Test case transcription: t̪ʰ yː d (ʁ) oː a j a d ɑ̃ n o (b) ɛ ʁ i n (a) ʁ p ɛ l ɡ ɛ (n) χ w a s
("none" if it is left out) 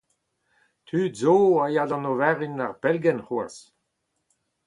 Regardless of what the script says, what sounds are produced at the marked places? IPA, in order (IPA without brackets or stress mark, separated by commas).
z, v, a, n